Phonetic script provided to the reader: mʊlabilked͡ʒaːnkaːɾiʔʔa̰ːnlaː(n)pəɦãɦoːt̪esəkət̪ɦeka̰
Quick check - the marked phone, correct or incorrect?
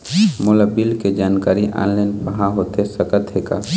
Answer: correct